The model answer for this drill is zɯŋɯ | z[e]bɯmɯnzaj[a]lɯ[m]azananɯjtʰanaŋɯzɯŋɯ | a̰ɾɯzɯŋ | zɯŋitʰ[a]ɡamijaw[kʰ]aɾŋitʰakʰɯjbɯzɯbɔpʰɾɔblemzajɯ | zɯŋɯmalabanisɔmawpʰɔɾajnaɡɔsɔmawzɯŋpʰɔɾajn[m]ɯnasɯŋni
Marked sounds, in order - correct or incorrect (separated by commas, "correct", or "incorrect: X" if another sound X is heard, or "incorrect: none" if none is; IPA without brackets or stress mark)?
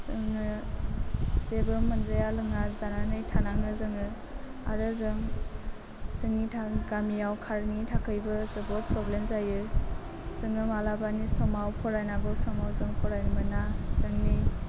correct, correct, incorrect: ŋ, correct, correct, correct